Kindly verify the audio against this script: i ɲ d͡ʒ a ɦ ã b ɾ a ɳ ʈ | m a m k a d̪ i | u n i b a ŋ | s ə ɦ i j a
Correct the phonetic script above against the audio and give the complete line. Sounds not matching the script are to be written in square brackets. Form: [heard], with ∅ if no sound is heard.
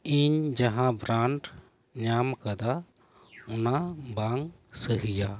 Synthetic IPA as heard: i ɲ d͡ʒ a ɦ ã b ɾ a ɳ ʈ | [ɲ] a m k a d̪ [a] | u n [a] b a ŋ | s ə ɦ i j a